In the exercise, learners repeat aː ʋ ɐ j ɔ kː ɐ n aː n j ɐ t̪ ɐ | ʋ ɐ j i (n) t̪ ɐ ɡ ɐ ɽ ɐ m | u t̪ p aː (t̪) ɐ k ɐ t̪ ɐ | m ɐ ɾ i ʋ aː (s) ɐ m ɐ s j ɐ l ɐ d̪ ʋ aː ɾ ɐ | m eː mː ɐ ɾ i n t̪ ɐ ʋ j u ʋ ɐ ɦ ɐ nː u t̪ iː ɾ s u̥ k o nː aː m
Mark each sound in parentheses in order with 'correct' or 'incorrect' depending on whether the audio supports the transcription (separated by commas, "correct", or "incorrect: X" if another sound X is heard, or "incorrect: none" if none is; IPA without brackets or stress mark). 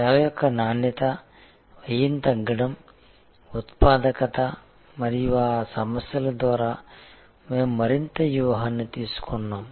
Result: correct, incorrect: d̪, correct